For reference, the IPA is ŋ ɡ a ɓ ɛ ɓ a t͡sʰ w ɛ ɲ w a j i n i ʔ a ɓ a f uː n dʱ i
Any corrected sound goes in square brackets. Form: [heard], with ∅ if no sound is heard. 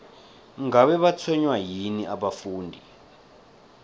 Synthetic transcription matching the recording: ŋ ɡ a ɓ ɛ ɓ a t͡sʰ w ɛ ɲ w a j i n i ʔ a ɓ a f uː n dʱ i

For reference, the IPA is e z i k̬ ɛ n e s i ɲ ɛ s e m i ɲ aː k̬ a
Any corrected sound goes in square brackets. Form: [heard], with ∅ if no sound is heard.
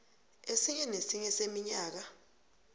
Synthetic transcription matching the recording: e [s] i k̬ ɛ n e s i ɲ ɛ s e m i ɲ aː k̬ a

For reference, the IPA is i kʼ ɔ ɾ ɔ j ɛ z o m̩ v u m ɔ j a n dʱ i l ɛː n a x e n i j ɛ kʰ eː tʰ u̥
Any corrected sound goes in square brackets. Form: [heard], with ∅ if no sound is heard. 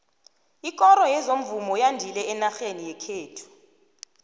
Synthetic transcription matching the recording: i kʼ ɔ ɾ ɔ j ɛ z o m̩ v u m ɔ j a n dʱ i l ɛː n a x e n i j ɛ kʰ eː tʰ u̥

